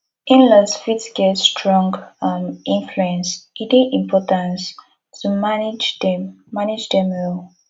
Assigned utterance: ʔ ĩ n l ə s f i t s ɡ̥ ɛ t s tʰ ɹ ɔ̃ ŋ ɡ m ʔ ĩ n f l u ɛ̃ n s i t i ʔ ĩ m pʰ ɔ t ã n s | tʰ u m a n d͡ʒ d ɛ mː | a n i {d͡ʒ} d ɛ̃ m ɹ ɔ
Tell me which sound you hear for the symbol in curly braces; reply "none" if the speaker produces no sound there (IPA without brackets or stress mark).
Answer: d͡ʒ